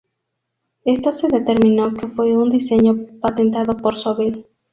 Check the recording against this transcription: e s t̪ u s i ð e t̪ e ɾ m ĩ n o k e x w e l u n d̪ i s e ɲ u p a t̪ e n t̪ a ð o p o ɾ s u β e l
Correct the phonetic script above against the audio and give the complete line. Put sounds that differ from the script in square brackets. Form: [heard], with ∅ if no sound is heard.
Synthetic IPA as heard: e s t̪ [o] s [e] ð e t̪ e ɾ m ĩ n o k e [f] w e [∅] u n d̪ i s e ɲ [o] p a t̪ e n t̪ a ð o p o ɾ s [o] β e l